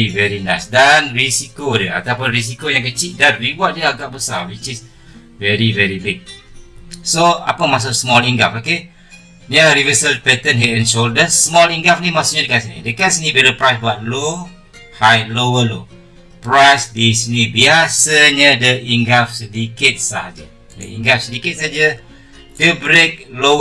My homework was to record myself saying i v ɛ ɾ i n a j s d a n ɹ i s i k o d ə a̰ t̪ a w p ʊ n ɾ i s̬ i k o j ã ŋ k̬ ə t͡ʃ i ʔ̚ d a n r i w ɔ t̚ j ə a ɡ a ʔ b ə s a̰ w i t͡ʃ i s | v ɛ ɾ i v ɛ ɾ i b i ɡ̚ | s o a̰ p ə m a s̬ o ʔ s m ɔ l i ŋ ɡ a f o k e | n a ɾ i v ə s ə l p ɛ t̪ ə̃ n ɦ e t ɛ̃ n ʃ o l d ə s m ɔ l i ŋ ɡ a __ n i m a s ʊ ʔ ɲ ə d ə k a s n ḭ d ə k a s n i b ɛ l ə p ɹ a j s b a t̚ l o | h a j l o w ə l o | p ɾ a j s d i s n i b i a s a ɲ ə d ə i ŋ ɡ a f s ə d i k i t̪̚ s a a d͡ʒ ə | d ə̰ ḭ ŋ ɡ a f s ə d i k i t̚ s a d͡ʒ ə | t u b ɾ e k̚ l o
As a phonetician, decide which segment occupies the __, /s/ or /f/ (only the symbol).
f